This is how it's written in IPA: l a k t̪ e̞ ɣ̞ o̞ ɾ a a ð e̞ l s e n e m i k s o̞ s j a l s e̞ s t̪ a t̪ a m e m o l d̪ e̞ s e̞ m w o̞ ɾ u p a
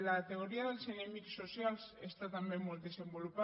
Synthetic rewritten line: l a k t̪ e̞ ɣ̞ o̞ ɾ i a ð e̞ l s e n e m i k s o̞ s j a l s e̞ s t̪ a t̪ a m e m o l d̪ e̞ s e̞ m b o̞ l u p a